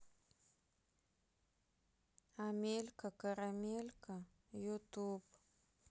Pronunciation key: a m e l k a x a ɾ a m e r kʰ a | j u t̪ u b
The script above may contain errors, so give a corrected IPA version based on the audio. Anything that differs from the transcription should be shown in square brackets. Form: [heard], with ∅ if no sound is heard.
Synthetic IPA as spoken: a m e l k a [k] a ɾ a m e [l] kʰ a | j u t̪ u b

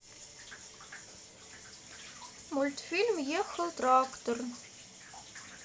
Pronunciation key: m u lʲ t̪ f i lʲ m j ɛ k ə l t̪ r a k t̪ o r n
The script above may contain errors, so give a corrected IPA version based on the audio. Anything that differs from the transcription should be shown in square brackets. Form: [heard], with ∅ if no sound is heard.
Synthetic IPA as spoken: m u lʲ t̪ f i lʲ m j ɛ [x] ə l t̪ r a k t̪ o r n

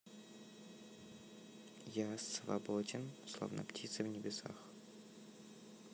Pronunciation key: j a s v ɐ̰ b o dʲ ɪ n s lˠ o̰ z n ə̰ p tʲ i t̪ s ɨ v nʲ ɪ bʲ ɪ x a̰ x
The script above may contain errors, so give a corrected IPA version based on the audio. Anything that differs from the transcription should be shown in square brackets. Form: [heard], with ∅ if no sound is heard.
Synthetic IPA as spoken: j a s v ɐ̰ b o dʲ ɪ n s lˠ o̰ [v] n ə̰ p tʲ i t̪ s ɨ v nʲ ɪ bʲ ɪ [s] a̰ x

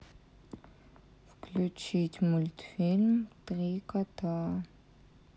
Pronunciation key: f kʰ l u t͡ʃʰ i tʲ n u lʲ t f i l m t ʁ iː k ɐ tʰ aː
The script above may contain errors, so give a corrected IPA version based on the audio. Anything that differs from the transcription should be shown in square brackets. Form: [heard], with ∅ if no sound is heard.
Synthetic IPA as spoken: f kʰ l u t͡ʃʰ i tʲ [m] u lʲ t f i l m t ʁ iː k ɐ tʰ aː

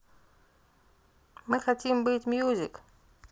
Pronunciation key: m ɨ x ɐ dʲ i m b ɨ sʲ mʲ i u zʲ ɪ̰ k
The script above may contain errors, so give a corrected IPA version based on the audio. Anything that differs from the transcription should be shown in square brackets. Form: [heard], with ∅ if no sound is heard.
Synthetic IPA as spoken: m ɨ x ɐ [tʲ] i m b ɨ [tʲ] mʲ [j] u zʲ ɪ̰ k

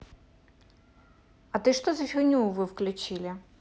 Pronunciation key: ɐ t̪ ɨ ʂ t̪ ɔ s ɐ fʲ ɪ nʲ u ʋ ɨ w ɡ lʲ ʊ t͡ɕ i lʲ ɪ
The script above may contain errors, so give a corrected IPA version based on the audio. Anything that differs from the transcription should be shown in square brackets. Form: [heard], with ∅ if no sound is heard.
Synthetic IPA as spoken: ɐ t̪ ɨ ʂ t̪ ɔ [z] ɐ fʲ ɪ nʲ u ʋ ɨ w [k] lʲ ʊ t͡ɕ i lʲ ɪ

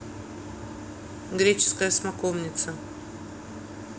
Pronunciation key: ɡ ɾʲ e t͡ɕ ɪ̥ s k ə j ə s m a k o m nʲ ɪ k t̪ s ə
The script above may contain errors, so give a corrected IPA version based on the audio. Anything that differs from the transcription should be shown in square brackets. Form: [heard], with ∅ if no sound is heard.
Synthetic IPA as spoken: ɡ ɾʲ e t͡ɕ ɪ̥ s k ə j ə s m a k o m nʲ ɪ [∅] t̪ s ə

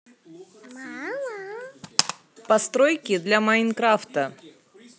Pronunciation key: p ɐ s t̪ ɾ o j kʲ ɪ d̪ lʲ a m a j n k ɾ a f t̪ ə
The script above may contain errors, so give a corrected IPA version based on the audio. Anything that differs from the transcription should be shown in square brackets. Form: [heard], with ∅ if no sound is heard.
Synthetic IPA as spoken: p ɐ s t̪ ɾ o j kʲ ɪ d̪ lʲ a m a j n k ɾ a f t̪ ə

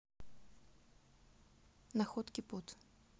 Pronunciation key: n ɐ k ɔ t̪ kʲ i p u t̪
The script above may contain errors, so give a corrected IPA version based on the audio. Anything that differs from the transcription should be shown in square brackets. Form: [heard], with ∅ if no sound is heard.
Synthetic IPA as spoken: n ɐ [x] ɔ t̪ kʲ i p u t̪

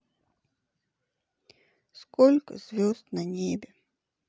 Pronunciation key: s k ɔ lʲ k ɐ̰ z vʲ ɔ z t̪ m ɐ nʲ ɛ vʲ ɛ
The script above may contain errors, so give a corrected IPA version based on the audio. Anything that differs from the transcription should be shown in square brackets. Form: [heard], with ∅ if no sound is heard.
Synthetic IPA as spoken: s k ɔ lʲ k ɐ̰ z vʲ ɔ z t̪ [n] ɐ nʲ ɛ [bʲ] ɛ

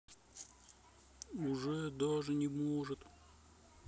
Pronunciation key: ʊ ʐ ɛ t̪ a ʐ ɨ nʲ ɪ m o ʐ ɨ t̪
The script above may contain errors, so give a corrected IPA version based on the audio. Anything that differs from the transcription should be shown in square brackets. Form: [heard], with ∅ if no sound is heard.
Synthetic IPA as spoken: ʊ ʐ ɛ [d̪] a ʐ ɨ nʲ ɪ m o ʐ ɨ t̪

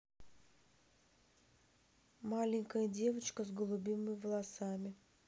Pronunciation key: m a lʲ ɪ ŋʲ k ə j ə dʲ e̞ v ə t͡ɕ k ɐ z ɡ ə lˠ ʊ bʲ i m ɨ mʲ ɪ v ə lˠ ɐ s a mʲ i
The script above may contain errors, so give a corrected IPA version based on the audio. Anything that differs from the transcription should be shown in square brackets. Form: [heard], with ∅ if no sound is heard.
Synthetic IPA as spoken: m a lʲ ɪ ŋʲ k ə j ə dʲ e̞ v ə t͡ɕ k [ə] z ɡ ə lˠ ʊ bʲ i m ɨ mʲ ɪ v ə lˠ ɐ s a mʲ [ɪ]

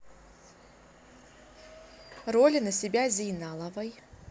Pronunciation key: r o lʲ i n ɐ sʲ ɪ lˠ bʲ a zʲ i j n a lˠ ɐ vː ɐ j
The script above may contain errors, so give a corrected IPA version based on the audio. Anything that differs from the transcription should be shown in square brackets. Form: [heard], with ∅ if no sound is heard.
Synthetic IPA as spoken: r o lʲ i n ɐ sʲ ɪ [∅] bʲ a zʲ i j n a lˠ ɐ [v] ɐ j

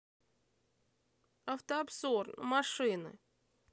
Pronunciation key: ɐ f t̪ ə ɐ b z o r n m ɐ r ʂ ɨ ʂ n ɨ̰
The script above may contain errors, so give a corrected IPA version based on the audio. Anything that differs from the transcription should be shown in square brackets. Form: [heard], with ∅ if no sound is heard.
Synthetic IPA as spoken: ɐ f t̪ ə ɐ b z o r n m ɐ [∅] ʂ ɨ [∅] n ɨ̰

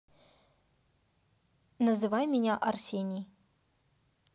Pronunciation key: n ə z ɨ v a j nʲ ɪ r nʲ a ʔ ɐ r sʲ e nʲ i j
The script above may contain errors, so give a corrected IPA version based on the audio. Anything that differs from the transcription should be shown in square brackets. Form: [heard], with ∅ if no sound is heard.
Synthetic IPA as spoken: n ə z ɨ v a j [mʲ] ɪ [∅] nʲ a ʔ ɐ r sʲ e nʲ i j

